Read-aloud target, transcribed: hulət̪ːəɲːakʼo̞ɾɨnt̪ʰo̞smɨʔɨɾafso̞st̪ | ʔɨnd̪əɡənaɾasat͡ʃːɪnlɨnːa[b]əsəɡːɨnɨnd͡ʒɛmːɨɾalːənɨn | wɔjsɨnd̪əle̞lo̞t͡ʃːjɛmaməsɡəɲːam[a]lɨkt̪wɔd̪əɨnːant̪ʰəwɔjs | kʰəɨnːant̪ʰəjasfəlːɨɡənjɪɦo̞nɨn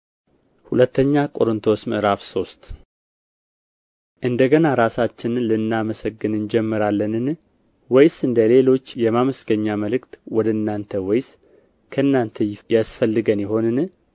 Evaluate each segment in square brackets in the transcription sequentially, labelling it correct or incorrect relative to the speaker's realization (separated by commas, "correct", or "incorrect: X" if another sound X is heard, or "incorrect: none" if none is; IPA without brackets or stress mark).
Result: incorrect: m, incorrect: ə